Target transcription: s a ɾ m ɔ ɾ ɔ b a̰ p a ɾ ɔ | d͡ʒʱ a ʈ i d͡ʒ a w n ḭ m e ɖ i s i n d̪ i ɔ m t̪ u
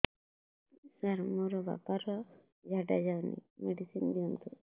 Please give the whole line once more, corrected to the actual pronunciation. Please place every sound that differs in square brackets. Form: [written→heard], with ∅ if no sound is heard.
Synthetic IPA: s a ɾ m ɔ ɾ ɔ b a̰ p a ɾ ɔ | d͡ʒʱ a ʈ [i→a] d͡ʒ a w n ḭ m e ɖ i s i n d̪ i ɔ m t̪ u